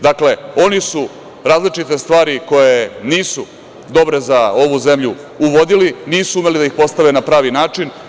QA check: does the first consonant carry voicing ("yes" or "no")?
yes